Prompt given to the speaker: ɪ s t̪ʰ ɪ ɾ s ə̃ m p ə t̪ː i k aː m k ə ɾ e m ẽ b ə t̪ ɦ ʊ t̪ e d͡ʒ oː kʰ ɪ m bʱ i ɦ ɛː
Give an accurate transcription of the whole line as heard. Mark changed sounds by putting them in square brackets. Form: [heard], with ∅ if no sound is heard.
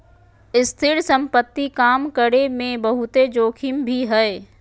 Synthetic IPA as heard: ɪ s t̪ʰ ɪ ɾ s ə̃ m p ə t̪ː i k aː m k ə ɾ e m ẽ b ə [∅] ɦ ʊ t̪ e d͡ʒ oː kʰ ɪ m bʱ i ɦ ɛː